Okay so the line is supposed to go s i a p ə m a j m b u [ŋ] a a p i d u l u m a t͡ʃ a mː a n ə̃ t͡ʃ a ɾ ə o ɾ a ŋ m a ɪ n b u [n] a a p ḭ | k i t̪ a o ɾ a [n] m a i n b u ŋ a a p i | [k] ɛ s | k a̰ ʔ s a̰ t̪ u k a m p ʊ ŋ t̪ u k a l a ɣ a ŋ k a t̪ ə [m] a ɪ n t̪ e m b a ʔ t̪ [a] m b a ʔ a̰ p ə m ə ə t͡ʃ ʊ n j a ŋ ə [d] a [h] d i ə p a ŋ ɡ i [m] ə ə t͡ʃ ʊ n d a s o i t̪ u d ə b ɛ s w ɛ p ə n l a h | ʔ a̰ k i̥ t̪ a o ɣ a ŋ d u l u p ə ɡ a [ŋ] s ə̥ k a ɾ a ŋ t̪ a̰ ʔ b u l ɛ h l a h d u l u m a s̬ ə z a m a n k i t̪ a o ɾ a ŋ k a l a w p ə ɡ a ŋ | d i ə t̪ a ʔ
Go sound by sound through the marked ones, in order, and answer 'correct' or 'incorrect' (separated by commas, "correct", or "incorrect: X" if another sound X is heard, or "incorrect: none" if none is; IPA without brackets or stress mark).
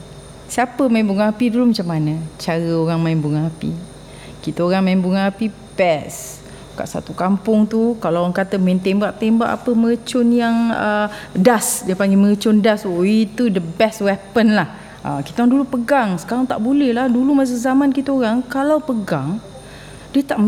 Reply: correct, incorrect: ŋ, incorrect: ŋ, incorrect: p, correct, incorrect: e, correct, incorrect: s, correct, correct